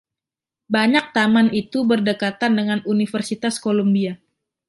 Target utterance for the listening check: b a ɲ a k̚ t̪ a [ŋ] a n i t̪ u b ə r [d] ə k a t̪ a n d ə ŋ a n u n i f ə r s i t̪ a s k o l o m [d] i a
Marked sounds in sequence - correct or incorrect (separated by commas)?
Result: incorrect, correct, incorrect